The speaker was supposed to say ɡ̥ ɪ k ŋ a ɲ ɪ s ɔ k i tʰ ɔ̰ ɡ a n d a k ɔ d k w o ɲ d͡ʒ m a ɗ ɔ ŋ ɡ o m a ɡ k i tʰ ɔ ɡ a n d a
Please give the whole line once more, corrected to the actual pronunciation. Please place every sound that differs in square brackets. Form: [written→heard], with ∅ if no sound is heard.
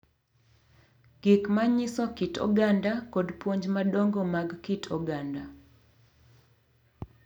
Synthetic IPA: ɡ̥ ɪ k [ŋ→m] a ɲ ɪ s ɔ k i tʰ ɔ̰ ɡ a n d a k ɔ d [k→p] w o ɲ d͡ʒ m a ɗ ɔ ŋ ɡ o m a ɡ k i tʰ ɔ ɡ a n d a